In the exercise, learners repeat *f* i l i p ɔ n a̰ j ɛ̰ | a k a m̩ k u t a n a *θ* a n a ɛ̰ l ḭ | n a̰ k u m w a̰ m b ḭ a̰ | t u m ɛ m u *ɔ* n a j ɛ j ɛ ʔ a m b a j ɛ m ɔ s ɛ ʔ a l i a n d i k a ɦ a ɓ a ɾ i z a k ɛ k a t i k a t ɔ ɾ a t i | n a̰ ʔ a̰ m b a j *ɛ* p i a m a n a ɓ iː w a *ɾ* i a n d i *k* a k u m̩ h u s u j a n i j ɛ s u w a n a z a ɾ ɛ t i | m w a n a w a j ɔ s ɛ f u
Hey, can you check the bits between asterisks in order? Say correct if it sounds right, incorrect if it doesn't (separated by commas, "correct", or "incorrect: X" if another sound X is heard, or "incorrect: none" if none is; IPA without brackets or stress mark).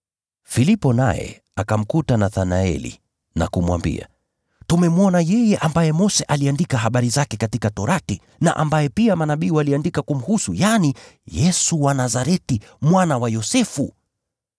correct, correct, correct, correct, incorrect: l, correct